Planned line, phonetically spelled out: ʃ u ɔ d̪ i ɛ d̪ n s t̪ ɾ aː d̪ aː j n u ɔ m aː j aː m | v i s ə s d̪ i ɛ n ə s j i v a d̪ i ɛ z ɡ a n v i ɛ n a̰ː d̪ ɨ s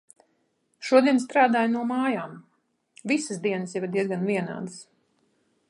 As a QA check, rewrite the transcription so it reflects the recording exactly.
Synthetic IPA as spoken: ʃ u ɔ d̪ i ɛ n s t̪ ɾ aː d̪ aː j n u ɔ m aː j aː m | v i s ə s d̪ i ɛ n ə s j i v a d̪ i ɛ z ɡ a n v i ɛ n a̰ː d̪ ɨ s